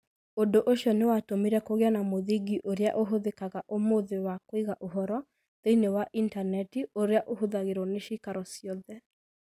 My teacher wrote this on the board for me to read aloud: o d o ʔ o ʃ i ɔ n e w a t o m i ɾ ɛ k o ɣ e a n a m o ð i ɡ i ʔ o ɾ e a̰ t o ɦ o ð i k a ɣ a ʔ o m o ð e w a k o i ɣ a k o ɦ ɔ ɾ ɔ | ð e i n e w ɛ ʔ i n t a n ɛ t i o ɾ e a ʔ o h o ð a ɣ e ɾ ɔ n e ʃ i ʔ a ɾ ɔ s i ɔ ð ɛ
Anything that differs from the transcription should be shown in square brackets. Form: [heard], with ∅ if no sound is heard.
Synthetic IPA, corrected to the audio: o d o ʔ o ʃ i ɔ n e w a t o m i ɾ ɛ k o ɣ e a n a m o ð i ɡ i ʔ o ɾ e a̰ [ʔ] o ɦ o ð [e] k a ɣ a ʔ o m o ð e w a k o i ɣ a [ʔ] o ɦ ɔ ɾ ɔ | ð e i n e w [a] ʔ i n t a n ɛ t i o ɾ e a ʔ o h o ð a ɣ e ɾ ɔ n e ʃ i [k] a ɾ ɔ s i ɔ ð ɛ